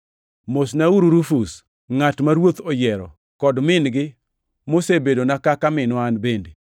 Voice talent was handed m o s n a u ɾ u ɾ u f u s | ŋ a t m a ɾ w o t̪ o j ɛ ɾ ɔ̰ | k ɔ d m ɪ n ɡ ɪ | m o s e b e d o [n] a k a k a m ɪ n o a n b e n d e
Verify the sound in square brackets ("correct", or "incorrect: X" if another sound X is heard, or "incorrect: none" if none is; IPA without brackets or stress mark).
correct